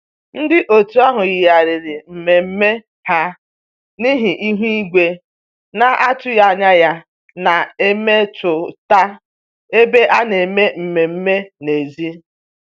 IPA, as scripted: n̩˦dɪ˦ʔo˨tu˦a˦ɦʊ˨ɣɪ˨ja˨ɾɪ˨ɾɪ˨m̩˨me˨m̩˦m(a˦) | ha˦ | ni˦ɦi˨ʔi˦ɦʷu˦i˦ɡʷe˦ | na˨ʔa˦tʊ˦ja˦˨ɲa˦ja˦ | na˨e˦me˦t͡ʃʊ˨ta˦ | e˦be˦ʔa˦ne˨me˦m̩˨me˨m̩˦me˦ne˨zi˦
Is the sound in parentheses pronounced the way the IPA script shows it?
no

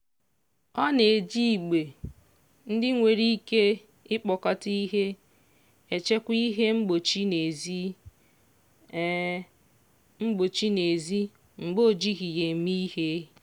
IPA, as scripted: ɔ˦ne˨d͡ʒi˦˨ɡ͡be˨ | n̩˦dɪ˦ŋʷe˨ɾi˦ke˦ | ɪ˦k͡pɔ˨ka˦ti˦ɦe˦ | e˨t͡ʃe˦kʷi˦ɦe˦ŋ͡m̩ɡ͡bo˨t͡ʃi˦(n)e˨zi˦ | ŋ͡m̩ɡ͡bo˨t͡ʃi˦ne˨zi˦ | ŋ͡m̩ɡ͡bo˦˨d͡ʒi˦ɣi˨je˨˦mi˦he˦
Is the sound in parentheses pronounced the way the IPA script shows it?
yes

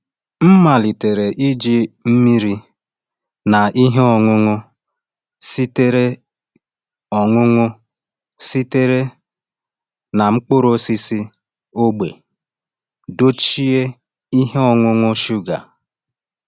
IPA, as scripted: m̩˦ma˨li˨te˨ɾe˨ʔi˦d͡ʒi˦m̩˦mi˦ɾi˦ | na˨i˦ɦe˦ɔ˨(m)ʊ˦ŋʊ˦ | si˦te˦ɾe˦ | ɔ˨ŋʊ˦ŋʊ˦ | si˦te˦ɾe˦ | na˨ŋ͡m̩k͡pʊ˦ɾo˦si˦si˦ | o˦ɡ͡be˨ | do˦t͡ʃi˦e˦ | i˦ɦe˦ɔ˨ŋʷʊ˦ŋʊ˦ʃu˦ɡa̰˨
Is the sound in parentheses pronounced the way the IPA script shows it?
no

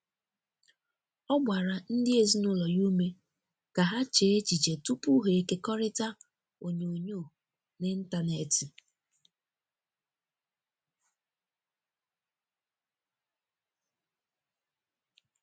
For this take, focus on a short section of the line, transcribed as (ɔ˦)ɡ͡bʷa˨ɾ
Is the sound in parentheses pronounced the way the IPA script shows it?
yes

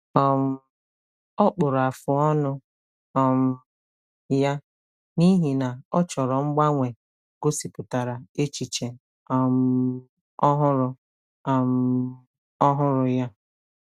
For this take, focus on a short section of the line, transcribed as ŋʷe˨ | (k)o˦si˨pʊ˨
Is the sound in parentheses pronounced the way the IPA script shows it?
no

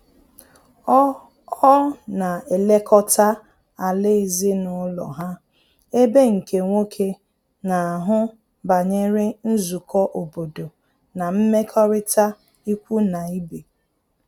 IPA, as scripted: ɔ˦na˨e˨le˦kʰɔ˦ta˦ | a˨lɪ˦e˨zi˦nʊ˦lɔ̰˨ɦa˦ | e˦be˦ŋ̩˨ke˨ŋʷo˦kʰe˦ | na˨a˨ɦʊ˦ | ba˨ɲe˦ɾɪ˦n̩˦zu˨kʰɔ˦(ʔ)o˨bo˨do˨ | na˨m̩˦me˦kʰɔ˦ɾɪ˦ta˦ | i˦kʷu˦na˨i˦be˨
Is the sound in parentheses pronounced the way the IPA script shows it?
yes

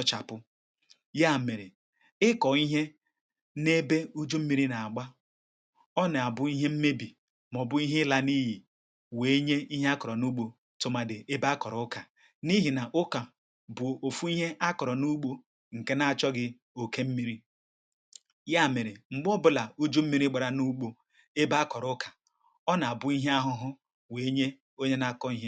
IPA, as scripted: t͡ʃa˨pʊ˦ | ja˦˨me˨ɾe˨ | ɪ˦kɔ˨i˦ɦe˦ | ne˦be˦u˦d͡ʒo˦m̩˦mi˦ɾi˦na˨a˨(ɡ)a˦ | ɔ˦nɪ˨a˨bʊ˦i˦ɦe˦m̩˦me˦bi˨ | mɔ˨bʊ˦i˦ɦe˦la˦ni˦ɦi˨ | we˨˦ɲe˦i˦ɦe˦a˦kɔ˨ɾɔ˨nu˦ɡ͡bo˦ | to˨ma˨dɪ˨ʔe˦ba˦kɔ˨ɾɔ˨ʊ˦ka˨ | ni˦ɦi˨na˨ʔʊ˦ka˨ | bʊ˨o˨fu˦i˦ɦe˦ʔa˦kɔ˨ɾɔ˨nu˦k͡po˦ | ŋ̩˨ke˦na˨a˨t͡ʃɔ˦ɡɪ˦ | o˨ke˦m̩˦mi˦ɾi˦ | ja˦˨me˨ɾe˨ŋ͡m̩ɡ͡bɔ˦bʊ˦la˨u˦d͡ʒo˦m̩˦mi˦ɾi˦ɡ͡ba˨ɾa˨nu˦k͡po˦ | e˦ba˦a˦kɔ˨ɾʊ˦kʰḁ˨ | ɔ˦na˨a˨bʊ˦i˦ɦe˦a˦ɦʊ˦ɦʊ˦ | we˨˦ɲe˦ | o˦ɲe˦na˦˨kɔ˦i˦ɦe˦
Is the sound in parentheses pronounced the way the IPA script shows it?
no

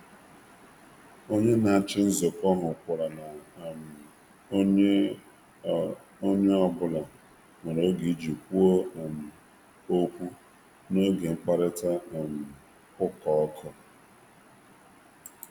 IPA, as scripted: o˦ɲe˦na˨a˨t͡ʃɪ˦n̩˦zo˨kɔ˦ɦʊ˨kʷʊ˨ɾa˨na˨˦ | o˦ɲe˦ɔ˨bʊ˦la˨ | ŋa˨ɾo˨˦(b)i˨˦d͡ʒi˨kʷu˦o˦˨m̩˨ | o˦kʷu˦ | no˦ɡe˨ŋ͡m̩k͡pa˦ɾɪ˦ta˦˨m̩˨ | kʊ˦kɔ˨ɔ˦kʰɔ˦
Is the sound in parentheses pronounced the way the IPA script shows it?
no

